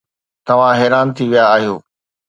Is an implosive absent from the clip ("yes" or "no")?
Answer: yes